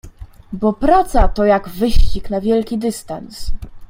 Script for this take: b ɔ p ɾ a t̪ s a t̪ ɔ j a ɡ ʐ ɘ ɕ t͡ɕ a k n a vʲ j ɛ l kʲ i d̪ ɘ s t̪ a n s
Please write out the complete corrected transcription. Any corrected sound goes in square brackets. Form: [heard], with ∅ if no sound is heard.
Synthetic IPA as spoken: b ɔ p ɾ a t̪ s a t̪ ɔ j a ɡ [v] ɘ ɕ t͡ɕ [i] k n a vʲ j ɛ l kʲ i d̪ ɘ s t̪ a n s